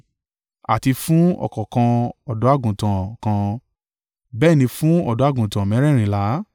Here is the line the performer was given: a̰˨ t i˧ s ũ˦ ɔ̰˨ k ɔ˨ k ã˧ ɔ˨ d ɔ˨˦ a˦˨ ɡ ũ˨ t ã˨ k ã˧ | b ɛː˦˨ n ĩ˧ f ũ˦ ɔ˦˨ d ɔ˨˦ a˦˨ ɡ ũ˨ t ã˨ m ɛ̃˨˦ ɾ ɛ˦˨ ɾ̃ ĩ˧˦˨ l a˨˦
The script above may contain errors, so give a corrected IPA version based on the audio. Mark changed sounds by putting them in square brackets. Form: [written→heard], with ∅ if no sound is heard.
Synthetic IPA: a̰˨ t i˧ [s→f] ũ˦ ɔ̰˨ k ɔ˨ k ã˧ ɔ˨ d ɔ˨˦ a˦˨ ɡ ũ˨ t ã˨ k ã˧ | b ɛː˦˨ n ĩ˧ f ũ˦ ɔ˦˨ d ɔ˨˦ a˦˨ ɡ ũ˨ t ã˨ m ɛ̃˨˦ ɾ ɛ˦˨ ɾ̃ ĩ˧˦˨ l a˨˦

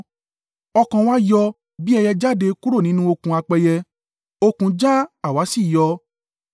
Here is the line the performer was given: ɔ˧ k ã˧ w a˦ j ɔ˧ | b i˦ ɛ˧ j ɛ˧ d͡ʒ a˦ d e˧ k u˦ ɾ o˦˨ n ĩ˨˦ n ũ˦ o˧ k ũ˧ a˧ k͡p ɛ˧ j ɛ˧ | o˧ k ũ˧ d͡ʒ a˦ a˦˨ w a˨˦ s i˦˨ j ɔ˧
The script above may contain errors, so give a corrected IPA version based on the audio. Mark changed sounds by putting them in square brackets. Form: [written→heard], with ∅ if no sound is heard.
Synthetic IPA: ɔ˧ k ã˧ w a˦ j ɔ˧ | b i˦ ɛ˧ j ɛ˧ d͡ʒ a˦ d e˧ k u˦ ɾ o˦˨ n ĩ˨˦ n ũ˦ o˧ k ũ˧ a˧ k͡p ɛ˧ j ɛ˧ | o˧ k ũ˧ d͡ʒ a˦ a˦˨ w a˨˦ s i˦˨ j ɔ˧

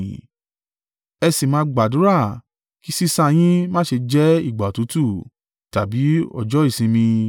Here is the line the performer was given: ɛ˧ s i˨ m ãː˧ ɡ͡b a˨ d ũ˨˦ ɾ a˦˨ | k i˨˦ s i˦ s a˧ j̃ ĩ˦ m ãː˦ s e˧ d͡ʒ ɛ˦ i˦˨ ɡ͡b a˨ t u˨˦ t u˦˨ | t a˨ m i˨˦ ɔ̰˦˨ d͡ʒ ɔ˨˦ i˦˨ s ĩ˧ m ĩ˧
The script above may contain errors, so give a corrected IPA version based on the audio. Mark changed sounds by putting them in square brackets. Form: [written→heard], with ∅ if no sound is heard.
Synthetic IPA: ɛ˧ s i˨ m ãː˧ ɡ͡b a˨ d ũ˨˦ ɾ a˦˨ | k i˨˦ s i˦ s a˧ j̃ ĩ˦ m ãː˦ [s→ʃ] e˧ d͡ʒ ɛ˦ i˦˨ ɡ͡b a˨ t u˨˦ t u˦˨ | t a˨ [m→b] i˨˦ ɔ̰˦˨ d͡ʒ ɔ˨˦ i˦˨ s ĩ˧ m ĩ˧

